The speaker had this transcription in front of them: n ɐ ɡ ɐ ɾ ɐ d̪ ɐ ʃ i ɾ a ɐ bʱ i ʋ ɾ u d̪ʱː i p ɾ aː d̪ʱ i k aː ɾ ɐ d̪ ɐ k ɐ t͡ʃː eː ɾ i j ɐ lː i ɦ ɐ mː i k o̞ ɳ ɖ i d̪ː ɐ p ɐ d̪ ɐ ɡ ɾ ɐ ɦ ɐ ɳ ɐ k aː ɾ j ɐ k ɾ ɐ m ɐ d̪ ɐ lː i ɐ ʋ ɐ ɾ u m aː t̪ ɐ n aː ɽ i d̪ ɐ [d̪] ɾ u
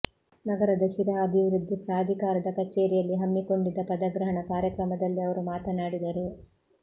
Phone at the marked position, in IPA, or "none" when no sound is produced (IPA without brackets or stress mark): none